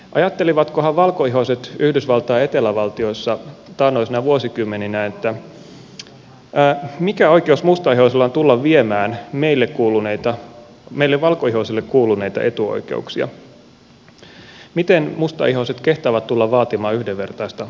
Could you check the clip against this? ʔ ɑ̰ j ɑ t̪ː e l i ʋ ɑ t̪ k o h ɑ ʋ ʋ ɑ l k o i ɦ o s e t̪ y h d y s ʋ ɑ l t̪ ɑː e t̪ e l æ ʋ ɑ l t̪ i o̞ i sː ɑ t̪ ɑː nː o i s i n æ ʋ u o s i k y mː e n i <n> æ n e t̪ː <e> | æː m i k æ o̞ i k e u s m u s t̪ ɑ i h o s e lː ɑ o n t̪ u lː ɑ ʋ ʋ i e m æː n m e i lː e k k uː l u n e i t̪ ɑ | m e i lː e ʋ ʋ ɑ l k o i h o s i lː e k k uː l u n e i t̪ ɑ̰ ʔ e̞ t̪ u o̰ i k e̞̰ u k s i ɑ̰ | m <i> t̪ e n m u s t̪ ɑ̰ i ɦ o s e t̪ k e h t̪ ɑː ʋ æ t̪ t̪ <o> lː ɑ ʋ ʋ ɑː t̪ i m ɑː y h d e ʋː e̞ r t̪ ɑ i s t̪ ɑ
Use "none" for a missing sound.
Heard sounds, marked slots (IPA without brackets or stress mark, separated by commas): n, æ, i, u